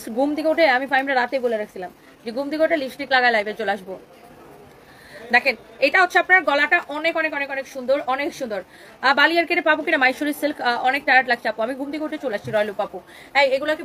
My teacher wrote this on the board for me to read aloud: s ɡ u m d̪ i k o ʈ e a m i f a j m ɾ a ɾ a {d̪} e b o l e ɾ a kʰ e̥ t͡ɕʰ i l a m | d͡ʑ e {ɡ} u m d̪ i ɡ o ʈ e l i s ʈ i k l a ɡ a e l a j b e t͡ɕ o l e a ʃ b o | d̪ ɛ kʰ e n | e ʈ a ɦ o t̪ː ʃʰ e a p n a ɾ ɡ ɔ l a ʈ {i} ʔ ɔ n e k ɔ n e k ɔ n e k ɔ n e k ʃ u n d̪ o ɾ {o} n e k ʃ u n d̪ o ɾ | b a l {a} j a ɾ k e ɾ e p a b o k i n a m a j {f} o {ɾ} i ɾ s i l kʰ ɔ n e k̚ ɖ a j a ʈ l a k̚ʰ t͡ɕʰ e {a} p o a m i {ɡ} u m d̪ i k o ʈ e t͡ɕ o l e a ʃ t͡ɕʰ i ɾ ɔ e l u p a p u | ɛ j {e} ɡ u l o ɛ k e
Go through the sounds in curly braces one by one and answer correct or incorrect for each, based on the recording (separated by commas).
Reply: incorrect, correct, incorrect, incorrect, incorrect, incorrect, correct, correct, correct, correct